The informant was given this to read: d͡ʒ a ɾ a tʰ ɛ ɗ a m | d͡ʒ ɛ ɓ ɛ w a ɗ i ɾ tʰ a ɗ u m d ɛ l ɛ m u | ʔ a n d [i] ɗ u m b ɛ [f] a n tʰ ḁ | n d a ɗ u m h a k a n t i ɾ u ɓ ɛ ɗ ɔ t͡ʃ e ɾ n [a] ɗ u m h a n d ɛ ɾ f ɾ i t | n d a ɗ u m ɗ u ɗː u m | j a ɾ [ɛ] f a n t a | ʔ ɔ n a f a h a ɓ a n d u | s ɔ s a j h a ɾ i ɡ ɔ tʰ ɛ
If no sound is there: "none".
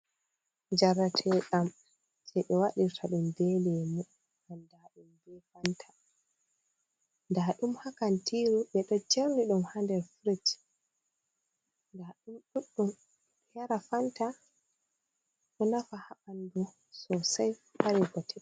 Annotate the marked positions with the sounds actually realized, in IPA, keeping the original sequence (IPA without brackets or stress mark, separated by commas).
a, f, i, a